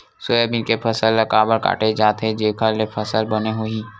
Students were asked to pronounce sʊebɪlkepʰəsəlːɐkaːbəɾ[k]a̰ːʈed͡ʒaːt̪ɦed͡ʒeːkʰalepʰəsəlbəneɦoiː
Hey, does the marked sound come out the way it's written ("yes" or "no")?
yes